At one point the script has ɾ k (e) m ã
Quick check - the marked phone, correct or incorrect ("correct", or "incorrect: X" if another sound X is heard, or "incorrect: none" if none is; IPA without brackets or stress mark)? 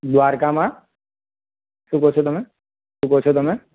incorrect: a